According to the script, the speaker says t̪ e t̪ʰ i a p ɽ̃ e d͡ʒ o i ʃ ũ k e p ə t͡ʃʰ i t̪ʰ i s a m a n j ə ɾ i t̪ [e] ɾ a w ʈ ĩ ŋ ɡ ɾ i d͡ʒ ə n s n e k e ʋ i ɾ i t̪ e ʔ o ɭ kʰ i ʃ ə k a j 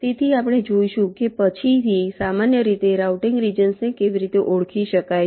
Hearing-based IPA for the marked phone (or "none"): e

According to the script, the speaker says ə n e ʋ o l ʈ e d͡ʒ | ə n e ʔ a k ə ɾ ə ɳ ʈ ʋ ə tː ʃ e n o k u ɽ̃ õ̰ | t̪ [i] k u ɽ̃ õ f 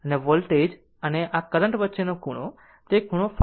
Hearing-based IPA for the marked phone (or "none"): e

